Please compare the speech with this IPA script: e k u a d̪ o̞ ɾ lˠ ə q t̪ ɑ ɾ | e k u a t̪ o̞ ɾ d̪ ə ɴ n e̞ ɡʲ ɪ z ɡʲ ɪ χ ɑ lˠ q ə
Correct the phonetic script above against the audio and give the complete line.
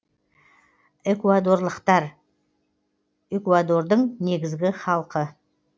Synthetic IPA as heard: e k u a d̪ o̞ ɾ lˠ ə q t̪ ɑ ɾ | e k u a d̪ o̞ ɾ d̪ ə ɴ n e̞ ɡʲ ɪ z ɡʲ ɪ χ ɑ lˠ q ə